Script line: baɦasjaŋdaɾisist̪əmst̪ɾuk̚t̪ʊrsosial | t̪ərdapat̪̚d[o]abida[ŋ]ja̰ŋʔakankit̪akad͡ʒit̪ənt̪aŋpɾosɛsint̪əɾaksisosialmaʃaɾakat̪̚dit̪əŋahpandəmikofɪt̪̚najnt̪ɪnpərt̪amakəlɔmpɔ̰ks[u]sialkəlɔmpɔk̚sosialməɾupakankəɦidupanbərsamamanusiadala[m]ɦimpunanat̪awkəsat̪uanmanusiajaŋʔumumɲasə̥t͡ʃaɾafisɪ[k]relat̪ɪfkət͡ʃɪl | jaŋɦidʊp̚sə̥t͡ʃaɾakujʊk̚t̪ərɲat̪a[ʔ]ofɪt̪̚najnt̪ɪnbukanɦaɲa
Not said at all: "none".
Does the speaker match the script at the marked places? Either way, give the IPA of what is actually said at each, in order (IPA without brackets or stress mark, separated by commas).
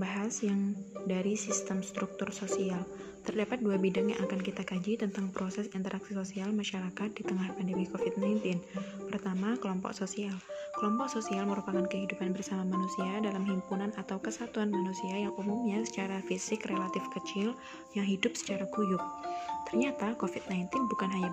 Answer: u, ŋ, o, m, k, k